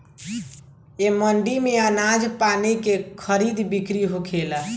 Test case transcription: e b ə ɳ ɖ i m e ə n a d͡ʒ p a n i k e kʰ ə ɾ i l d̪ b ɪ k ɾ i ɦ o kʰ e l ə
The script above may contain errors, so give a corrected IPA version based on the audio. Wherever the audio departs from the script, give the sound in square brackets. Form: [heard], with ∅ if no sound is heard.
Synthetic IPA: e [m] ə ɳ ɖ i m e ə n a d͡ʒ p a n i k e kʰ ə ɾ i [∅] d̪ b [i] k ɾ i ɦ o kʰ e l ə